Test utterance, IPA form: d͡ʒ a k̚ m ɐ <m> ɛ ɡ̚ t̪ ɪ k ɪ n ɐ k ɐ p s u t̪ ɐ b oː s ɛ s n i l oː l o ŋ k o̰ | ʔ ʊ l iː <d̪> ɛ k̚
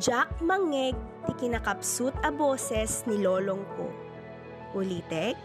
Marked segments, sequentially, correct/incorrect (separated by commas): incorrect, incorrect